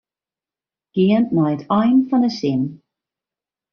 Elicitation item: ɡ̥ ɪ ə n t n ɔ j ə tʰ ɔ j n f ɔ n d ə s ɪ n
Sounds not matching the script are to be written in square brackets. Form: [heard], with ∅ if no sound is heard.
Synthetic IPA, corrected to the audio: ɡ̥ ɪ ə n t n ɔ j ə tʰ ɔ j n f ɔ n d ə s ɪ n